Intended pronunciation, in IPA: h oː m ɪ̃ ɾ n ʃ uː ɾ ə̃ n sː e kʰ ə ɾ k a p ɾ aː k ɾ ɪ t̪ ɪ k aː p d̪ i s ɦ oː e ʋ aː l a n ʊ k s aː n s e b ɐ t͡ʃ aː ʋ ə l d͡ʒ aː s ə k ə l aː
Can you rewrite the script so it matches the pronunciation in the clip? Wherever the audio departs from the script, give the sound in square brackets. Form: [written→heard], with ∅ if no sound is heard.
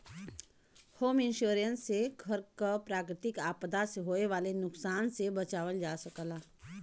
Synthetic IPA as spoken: h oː m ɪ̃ [ɾ→∅] n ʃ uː ɾ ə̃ n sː e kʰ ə ɾ k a p ɾ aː k ɾ ɪ t̪ ɪ k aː p d̪ [i→a] s ɦ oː e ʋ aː l [a→e] n ʊ k s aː n s e b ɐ t͡ʃ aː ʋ ə l d͡ʒ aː s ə k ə l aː